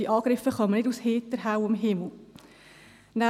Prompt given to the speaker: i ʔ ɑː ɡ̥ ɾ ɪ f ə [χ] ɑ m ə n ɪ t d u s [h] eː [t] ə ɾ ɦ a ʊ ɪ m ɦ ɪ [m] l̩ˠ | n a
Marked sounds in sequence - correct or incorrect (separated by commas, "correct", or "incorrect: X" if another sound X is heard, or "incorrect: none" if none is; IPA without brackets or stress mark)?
correct, correct, correct, correct